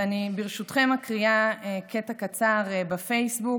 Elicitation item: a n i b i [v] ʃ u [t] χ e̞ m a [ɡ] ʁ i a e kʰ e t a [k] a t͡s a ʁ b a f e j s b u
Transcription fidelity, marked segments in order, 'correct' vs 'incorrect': incorrect: ʁ, correct, incorrect: k, correct

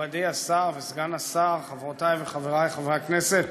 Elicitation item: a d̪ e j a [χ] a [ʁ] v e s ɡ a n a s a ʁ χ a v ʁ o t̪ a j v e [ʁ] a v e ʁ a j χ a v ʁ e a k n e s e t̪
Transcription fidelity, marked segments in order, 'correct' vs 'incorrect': incorrect: s, correct, incorrect: χ

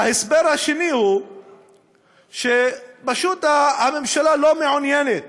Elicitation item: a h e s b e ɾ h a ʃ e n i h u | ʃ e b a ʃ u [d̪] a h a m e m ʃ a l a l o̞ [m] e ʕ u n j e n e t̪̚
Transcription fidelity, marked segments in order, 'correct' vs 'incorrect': incorrect: t̪, correct

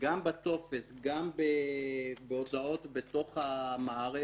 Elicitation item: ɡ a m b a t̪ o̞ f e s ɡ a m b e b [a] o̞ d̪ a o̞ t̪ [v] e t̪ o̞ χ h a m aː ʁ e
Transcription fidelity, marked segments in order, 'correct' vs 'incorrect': incorrect: e, incorrect: b

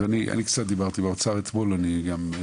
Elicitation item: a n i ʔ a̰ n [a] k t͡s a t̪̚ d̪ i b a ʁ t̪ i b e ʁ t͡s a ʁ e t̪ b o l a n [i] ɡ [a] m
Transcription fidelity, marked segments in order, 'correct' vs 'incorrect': incorrect: i, correct, correct

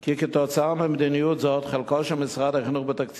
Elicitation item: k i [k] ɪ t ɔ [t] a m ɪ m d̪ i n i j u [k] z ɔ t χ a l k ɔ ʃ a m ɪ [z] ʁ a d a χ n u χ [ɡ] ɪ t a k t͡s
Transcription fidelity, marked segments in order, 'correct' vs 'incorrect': correct, incorrect: t͡s, incorrect: t, incorrect: s, incorrect: b

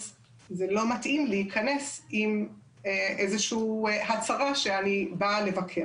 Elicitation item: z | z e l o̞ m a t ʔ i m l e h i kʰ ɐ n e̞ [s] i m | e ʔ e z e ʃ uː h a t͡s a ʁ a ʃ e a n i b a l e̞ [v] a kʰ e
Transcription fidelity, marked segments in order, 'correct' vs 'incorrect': correct, correct

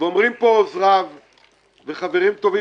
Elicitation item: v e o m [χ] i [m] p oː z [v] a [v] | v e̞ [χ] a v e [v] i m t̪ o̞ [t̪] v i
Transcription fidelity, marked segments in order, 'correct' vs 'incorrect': incorrect: ʁ, correct, incorrect: ʁ, correct, correct, incorrect: ʁ, incorrect: none

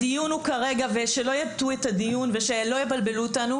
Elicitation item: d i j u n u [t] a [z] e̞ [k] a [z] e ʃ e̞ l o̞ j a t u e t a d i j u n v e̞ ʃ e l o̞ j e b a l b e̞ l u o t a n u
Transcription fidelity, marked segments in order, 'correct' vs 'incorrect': incorrect: k, incorrect: ʁ, incorrect: ɡ, incorrect: v

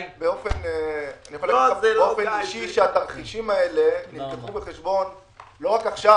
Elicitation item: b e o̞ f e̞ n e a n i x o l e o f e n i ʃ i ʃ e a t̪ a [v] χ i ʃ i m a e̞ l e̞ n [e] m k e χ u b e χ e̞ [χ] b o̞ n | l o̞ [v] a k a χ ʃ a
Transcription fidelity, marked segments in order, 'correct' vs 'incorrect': incorrect: ʁ, incorrect: i, incorrect: ʃ, incorrect: ʁ

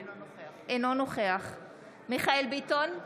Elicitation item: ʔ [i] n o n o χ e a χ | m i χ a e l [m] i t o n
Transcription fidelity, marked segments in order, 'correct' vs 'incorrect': incorrect: e, incorrect: b

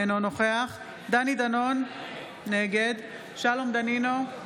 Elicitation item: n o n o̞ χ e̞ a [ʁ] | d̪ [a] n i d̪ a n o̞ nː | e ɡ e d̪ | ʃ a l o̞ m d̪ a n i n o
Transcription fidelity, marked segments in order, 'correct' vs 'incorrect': incorrect: χ, correct

